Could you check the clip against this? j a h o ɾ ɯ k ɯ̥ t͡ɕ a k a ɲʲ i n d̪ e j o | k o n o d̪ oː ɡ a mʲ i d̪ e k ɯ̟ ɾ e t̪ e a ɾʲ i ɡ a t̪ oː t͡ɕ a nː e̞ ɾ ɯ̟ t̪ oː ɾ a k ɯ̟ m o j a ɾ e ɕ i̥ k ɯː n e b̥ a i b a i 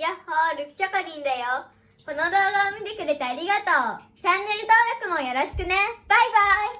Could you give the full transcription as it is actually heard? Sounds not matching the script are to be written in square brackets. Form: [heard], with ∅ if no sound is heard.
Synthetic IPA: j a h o ɾ ɯ k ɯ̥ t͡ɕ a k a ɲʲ i n d̪ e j o | k o n o d̪ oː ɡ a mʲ i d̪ e k ɯ̟ ɾ e t̪ e a ɾʲ i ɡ a t̪ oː t͡ɕ a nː e̞ ɾ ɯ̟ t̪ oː ɾ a k ɯ̟ m o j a ɾ [a] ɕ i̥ k [ɯ] n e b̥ a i b a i

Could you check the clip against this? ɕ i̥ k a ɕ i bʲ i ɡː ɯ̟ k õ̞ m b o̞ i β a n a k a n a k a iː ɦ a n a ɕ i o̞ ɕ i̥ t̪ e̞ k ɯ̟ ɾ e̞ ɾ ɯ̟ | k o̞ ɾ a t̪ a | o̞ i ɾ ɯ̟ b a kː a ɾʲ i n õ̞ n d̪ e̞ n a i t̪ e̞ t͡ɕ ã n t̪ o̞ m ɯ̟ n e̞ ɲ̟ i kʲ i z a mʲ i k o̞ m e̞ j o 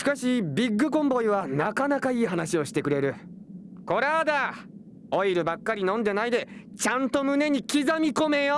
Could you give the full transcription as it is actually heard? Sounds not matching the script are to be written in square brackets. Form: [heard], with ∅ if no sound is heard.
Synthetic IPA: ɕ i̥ k a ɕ i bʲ i ɡː ɯ̟ k õ̞ m b o̞ i β a n a k a n a k a iː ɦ a n a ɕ i o̞ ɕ i̥ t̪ e̞ k ɯ̟ ɾ e̞ ɾ ɯ̟ | k o̞ ɾ a [d̪] a | o̞ i ɾ ɯ̟ b a kː a ɾʲ i n õ̞ n d̪ e̞ n a i [d̪] e̞ t͡ɕ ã n t̪ o̞ m ɯ̟ n e̞ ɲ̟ i kʲ i z a mʲ i k o̞ m e̞ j o

